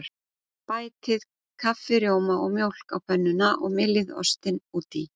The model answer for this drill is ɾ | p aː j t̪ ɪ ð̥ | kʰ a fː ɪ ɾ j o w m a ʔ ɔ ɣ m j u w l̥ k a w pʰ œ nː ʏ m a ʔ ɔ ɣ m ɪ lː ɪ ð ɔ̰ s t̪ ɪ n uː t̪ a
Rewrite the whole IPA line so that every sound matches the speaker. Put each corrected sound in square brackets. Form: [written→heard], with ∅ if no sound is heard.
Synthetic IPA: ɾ | p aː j t̪ ɪ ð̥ | kʰ a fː ɪ ɾ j o w m a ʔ ɔ ɣ m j [u→o] w l̥ k a w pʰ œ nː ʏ [m→n] a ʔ ɔ ɣ m ɪ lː ɪ ð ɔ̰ s t̪ ɪ n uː t̪ [a→i]